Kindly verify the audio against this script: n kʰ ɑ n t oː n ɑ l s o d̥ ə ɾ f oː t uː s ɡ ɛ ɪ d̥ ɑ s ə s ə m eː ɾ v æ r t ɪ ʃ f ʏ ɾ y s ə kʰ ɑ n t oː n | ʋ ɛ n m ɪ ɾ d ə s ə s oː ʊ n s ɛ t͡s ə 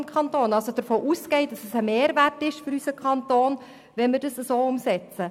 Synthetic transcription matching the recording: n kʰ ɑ n t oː n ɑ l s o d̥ ə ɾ f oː ʔ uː s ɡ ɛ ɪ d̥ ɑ s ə s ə m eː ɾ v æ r t ɪ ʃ f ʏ ɾ y s ə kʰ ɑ n t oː n | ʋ ɛ n m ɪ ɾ d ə s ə s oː ʊ m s ɛ t͡s ə